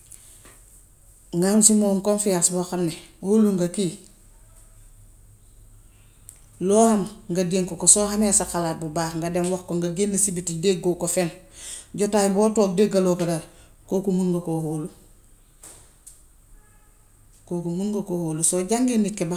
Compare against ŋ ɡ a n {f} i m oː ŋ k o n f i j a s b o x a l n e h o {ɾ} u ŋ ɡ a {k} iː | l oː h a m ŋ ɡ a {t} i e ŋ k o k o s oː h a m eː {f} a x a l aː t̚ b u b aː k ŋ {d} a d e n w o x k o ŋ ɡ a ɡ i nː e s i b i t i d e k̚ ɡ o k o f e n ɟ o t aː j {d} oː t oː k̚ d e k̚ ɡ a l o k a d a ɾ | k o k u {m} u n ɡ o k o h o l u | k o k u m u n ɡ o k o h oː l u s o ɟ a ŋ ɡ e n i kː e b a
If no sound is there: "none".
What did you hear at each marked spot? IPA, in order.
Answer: s, l, k, d, s, ɡ, b, m

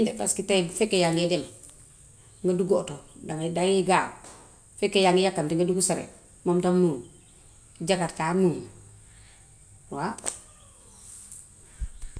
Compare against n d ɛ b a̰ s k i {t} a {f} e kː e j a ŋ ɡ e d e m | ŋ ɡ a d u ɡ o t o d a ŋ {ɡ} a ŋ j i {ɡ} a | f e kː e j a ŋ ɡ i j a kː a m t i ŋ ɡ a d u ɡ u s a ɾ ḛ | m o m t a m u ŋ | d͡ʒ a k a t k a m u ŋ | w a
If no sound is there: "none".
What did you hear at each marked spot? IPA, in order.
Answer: t, f, d, ɡ

